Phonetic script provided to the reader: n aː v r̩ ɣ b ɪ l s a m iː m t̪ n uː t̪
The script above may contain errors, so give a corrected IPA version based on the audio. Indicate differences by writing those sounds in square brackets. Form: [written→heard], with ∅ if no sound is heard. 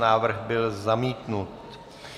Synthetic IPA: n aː v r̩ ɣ b ɪ l [s→z] a m iː [m→∅] t̪ n [uː→u] t̪